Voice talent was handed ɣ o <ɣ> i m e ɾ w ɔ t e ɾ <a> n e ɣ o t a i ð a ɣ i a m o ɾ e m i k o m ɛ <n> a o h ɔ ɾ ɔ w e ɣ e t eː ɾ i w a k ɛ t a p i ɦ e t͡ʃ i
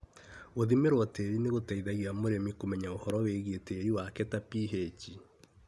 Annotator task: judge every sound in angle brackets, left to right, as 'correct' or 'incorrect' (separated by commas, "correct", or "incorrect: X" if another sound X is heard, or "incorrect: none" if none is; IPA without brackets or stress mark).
incorrect: ð, incorrect: i, incorrect: ɲ